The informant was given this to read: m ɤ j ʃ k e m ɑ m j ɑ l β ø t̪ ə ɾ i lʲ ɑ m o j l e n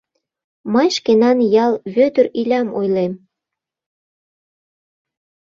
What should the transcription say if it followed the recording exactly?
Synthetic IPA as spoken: m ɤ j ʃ k e n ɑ n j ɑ l β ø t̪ ə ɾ i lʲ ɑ m o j l e m